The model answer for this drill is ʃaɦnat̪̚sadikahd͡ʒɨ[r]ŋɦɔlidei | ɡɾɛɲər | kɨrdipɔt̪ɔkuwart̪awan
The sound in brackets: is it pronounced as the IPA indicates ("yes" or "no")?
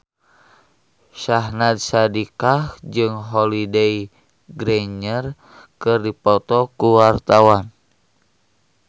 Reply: no